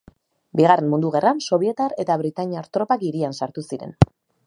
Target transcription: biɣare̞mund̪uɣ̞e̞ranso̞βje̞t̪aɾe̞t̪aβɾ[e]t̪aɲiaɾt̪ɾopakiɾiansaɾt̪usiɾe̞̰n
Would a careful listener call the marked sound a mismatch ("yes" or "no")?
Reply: yes